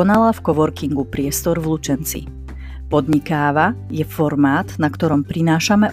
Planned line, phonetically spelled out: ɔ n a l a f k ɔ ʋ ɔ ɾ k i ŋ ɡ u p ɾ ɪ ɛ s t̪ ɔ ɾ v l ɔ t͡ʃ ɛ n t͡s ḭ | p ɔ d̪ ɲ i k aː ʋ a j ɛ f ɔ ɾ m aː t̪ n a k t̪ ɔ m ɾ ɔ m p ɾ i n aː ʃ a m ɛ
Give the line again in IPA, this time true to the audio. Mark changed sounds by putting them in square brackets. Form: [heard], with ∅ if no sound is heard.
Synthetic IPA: ɔ n a l a f k ɔ ʋ ɔ ɾ k i ŋ ɡ u p ɾ ɪ ɛ s t̪ ɔ ɾ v l [u] t͡ʃ ɛ n t͡s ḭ | p ɔ d̪ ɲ i k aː ʋ a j ɛ f ɔ ɾ m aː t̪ n a k t̪ ɔ [∅] ɾ ɔ m p ɾ i n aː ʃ a m ɛ